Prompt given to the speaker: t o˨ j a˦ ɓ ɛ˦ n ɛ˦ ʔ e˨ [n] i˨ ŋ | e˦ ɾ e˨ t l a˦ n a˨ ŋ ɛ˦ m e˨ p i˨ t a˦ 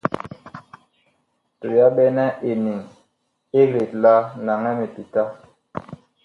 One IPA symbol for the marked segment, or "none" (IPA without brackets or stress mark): n